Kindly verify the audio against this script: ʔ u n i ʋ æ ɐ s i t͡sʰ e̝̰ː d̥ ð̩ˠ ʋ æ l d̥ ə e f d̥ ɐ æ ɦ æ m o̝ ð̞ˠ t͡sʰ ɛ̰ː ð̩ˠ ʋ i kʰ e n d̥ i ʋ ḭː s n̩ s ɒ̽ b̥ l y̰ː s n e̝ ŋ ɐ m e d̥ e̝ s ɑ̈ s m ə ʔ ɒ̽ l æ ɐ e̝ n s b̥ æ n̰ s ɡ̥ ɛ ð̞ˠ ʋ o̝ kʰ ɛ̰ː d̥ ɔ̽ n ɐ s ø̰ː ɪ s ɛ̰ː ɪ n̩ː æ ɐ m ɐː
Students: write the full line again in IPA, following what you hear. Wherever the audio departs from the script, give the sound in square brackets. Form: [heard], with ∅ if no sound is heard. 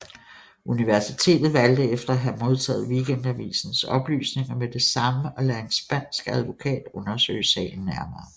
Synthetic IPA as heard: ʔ u n i ʋ æ ɐ s i t͡sʰ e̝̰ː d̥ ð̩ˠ ʋ æ l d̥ ə e f d̥ ɐ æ ɦ æ m o̝ ð̞ˠ t͡sʰ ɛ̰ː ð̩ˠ ʋ i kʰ e n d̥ [æ] ʋ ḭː s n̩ s ɒ̽ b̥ l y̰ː s n e̝ ŋ ɐ m e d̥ e̝ s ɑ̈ [∅] m ə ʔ ɒ̽ l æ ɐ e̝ n s b̥ æ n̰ s ɡ̥ [æ] ð̞ˠ ʋ o̝ kʰ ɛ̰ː d̥ ɔ̽ n ɐ s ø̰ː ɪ s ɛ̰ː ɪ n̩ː æ ɐ m ɐː